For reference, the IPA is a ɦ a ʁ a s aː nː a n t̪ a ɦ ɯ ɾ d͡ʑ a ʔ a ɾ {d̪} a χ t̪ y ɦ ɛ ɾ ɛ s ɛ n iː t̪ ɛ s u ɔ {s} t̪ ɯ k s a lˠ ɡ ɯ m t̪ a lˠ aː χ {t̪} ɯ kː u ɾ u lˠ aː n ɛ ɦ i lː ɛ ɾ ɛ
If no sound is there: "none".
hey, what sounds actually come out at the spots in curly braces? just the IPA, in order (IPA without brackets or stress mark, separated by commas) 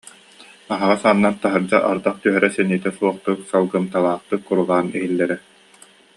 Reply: d̪, χ, t̪